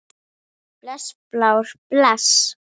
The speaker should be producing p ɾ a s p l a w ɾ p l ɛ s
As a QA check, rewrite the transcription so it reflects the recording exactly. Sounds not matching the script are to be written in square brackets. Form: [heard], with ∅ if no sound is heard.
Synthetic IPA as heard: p [l] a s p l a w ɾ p l [a] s